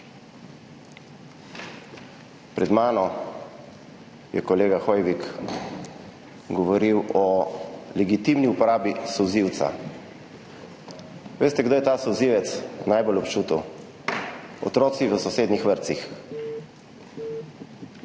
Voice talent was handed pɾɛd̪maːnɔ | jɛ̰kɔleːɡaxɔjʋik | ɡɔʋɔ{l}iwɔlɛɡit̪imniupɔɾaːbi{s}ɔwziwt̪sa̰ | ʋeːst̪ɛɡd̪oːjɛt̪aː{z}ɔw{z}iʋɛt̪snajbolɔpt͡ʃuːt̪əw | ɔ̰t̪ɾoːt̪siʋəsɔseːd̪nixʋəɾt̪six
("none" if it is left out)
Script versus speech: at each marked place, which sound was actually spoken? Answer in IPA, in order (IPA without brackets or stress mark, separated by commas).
ɾ, s, s, z